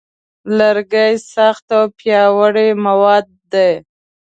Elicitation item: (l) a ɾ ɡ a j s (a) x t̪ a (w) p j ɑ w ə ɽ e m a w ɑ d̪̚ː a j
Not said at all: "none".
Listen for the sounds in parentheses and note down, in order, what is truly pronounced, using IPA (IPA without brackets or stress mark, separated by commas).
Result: l, a, w